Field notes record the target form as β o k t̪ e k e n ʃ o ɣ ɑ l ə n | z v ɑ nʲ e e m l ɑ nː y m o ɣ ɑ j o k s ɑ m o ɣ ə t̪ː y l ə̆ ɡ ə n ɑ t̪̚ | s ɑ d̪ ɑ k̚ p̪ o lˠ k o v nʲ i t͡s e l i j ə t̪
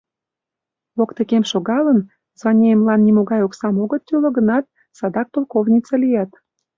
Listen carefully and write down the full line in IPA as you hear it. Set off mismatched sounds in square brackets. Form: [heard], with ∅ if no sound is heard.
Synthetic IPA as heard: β o k t̪ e k e [m] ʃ o ɣ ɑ l ə n | z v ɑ nʲ e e m l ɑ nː [i] m o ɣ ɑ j o k s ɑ m o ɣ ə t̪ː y l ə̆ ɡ ə n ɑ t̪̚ | s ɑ d̪ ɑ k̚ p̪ o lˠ k o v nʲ i t͡s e l i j [ɑ] t̪

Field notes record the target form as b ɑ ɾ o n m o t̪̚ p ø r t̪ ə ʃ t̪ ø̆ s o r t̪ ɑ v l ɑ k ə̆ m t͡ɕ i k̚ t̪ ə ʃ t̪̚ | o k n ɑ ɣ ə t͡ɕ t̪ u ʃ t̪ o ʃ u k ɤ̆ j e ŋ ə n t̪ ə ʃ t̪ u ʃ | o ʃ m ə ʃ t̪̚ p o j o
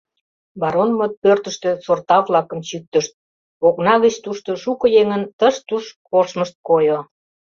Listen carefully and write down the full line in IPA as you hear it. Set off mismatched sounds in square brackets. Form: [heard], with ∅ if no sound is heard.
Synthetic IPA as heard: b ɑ ɾ o n m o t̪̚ p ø r t̪ ə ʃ t̪ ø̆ s o r t̪ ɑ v l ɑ k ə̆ m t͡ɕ [y] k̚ t̪ ə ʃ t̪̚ | o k n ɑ ɣ ə t͡ɕ t̪ u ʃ t̪ o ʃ u k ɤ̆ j e ŋ ə n t̪ ə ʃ t̪ u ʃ | o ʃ m ə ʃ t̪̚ [k] o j o

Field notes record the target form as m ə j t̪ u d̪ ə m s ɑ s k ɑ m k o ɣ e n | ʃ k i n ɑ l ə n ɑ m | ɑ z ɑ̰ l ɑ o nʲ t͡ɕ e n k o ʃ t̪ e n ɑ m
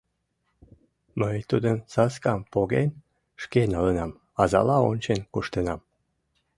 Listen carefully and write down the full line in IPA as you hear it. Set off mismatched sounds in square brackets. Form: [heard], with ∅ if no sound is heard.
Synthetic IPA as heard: m ə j t̪ u d̪ ə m s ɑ s k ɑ m [p] o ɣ e n | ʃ k [e] n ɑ l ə n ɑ m | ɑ z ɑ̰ l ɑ o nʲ t͡ɕ e n k [u] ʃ t̪ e n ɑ m

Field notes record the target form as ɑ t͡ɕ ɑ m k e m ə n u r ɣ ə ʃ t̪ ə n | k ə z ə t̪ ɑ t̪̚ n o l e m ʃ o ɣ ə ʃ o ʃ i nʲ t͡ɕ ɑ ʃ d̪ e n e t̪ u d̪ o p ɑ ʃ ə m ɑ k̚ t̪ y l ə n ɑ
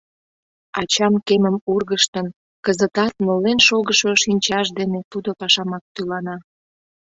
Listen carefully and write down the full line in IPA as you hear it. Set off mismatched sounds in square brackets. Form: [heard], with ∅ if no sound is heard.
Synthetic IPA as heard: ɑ t͡ɕ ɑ m k e m ə [m] u r ɣ ə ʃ t̪ ə n | k ə z ə t̪ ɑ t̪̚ n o l e [n] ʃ o ɣ ə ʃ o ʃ i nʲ t͡ɕ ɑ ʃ d̪ e n e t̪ u d̪ o p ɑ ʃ [ɑ] m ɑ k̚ t̪ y l [ɑ] n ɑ

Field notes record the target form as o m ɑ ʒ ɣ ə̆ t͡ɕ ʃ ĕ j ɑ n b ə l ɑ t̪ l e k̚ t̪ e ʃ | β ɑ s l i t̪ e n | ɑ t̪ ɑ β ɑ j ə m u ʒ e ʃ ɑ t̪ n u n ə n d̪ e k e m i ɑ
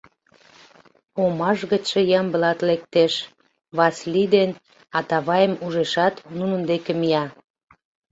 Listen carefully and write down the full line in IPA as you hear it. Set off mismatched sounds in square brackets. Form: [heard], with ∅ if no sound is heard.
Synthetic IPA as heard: o m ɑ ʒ ɣ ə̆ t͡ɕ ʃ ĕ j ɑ [m] b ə l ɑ t̪ l e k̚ t̪ e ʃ | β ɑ s l i [d̪] e n | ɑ t̪ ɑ β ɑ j ə m u ʒ e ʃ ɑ t̪ n u n ə n d̪ e k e m i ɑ

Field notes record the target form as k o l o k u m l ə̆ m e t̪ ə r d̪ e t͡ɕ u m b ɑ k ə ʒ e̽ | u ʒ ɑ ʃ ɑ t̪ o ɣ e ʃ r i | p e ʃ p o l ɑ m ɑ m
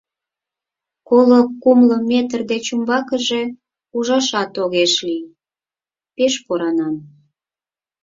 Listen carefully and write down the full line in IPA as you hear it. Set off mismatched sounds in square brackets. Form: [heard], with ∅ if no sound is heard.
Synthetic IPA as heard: k o l o k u m l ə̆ m e t̪ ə r d̪ e t͡ɕ u m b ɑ k ə ʒ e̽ | u ʒ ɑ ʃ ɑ t̪ o ɣ e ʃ [l] i | p e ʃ p o [ɾ] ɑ [n] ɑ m

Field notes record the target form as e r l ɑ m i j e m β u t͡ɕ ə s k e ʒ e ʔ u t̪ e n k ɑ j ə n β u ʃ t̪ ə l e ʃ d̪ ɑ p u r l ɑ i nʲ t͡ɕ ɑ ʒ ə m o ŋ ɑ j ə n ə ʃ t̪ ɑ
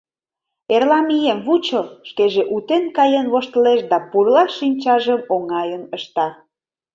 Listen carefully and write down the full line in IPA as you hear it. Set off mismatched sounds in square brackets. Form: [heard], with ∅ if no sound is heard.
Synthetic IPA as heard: e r l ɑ m i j e m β u t͡ɕ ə [ʃ] k e ʒ e ʔ u t̪ e n k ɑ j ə n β [o] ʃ t̪ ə l e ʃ d̪ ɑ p u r l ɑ i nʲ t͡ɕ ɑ ʒ ə m o ŋ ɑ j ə n ə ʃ t̪ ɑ

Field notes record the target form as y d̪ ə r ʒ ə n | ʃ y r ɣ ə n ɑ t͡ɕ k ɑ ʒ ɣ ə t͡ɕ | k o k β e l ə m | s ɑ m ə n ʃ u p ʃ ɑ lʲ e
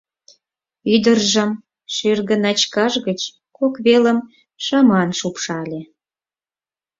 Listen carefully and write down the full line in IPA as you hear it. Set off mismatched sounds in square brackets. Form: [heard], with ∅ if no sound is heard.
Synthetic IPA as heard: y d̪ ə r ʒ ə [m] | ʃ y r ɣ ə n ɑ t͡ɕ k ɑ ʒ ɣ ə t͡ɕ | k o k β e l ə m | [ʃ] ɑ m [ɑ] n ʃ u p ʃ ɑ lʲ e

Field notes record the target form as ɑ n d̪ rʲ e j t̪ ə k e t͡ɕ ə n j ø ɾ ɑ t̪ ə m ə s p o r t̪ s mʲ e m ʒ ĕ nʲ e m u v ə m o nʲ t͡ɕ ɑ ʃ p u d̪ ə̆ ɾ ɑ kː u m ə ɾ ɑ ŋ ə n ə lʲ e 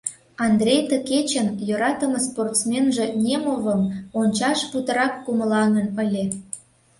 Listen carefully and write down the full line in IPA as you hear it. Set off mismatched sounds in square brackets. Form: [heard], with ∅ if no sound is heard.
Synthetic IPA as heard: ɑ n d̪ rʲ e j t̪ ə k e t͡ɕ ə n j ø ɾ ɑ t̪ ə m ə s p o r t̪ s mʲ e [n] ʒ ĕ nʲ e m [o] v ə m o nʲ t͡ɕ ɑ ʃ p u [t̪] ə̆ ɾ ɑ kː u m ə [l] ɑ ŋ ə n ə lʲ e

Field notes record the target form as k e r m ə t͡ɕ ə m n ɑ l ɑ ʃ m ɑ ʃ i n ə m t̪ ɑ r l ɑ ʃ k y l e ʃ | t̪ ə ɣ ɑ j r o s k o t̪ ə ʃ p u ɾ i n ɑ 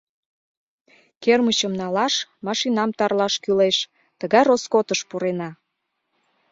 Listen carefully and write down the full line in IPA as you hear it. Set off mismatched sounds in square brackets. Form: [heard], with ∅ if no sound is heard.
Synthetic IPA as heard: k e r m ə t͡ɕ ə m n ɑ l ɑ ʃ m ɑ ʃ i n [ɑ] m t̪ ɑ r l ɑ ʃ k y l e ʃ | t̪ ə ɣ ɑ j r o s k o t̪ ə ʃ p u ɾ [e] n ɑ

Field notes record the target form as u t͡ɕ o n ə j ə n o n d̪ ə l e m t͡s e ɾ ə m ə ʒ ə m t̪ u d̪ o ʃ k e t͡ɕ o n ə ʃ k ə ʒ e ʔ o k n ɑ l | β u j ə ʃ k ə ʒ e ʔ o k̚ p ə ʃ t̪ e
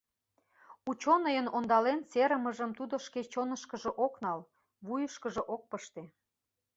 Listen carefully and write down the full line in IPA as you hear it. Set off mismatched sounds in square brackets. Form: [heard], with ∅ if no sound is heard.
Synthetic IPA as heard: u t͡ɕ o n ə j ə n o n d̪ [ɑ] l e [n] t͡s e ɾ ə m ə ʒ ə m t̪ u d̪ o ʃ k e t͡ɕ o n ə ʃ k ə ʒ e ʔ o k n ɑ l | β u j ə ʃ k ə ʒ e ʔ o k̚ p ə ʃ t̪ e

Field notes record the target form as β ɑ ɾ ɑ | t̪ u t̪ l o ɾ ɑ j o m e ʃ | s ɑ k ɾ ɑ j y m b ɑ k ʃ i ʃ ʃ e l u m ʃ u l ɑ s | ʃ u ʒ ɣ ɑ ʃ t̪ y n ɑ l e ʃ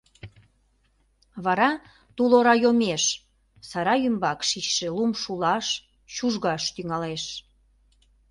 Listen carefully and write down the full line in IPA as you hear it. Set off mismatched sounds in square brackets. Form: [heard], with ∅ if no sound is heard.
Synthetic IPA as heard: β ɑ ɾ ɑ | t̪ u [∅] l o ɾ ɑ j o m e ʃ | s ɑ [∅] ɾ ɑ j y m b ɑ k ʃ i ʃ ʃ e l u m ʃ u l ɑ [ʃ] | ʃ u ʒ ɣ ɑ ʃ t̪ y [ŋ] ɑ l e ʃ

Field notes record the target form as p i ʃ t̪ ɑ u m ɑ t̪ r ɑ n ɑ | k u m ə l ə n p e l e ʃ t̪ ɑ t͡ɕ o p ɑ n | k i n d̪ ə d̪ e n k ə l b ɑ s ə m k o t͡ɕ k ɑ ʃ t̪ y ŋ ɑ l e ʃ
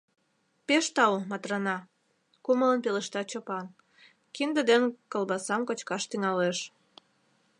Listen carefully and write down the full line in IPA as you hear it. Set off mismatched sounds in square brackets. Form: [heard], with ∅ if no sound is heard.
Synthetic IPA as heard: p [e] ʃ t̪ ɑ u m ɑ t̪ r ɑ n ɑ | k u m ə l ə n p e l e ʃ t̪ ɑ t͡ɕ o p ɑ n | k i n d̪ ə d̪ e n k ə l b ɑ s [ɑ] m k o t͡ɕ k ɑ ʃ t̪ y ŋ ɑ l e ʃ

